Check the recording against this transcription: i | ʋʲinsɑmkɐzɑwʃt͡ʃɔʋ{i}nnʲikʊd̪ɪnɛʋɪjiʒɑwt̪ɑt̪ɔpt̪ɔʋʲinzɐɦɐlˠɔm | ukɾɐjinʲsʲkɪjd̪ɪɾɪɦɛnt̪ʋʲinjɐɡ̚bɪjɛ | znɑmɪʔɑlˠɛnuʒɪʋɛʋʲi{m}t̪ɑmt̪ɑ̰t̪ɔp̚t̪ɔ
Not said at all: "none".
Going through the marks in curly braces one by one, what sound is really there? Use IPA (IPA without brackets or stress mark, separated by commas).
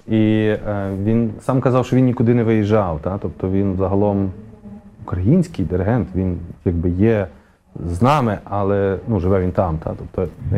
i, n